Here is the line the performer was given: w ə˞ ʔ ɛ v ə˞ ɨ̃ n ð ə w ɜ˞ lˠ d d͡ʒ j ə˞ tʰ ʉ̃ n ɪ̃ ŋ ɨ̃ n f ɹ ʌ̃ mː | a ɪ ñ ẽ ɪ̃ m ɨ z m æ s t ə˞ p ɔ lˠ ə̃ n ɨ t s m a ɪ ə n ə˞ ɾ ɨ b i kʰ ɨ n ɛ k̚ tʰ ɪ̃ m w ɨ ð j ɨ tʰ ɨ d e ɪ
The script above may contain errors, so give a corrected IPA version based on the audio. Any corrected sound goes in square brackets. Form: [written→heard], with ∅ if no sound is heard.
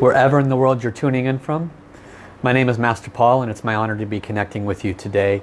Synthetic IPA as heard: w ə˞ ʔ ɛ v ə˞ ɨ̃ n ð ə w ɜ˞ lˠ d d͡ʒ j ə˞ tʰ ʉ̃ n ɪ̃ ŋ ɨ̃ n f ɹ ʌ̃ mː | a ɪ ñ ẽ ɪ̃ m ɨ z m æ s t ə˞ [p→pʰ] ɔ lˠ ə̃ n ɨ t s m a ɪ [ə→ɑ] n ə˞ ɾ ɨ b i kʰ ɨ n ɛ k̚ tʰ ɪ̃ [m→ŋ] w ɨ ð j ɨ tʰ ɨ d e ɪ

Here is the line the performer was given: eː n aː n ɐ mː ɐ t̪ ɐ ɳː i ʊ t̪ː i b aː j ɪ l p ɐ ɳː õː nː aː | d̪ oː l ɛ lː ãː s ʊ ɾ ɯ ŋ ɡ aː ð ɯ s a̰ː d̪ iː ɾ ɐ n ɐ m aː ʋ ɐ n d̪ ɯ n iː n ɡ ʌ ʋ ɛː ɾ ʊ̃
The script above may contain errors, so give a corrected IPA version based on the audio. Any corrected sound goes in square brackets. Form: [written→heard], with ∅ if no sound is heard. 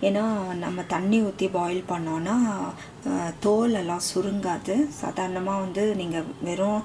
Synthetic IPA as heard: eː n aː n ɐ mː ɐ t̪ ɐ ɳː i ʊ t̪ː i b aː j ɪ l p ɐ ɳː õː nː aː | [d̪→t̪] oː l ɛ lː ãː s ʊ ɾ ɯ ŋ ɡ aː ð ɯ s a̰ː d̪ [iː→aː] ɾ ɐ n ɐ m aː ʋ ɐ n d̪ ɯ n iː [n→ŋ] ɡ [ʌ→ɐ] ʋ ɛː ɾ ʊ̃

